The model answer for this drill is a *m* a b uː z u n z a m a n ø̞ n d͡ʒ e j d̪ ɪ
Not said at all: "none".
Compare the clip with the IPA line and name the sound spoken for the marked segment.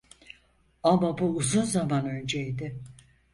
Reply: m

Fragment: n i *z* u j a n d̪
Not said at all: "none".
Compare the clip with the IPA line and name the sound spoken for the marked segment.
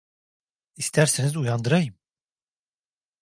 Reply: z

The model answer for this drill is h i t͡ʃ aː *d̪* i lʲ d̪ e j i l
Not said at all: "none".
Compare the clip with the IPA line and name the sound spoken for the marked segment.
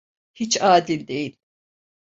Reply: d̪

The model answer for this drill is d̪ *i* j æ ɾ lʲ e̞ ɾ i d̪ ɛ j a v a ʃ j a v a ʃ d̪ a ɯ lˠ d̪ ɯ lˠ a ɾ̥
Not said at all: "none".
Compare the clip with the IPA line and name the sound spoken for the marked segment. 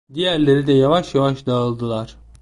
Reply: i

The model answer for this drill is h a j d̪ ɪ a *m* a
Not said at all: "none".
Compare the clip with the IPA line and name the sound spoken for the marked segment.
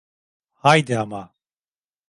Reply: m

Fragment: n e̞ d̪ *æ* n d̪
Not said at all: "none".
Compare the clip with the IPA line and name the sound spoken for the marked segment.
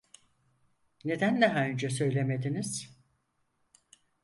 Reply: æ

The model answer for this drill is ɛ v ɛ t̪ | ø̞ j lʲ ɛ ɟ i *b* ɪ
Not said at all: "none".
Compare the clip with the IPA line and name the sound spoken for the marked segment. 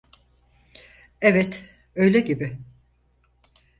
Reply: b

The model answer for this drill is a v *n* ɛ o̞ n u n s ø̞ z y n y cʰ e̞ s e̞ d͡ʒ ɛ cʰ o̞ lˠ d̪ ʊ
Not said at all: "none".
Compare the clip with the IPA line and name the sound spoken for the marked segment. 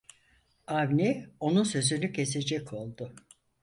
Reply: n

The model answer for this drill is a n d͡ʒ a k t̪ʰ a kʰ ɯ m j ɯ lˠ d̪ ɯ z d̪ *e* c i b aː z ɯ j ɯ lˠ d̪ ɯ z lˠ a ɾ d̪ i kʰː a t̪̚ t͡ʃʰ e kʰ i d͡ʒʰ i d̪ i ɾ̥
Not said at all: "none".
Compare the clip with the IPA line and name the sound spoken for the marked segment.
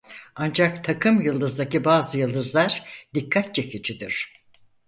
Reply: a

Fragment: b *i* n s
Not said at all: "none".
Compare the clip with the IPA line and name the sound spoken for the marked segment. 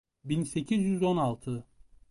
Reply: i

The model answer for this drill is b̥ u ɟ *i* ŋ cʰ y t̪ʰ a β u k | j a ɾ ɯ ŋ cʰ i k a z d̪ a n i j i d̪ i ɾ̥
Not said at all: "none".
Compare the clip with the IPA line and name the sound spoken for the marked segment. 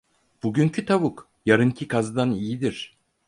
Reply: y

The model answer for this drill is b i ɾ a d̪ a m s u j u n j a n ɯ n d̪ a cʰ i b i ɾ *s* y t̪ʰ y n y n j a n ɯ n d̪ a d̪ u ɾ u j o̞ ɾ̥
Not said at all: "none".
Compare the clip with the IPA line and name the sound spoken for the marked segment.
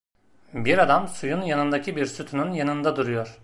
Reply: s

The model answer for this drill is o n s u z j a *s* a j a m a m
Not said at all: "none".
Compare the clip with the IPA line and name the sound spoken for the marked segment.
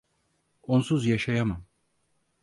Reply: ʃ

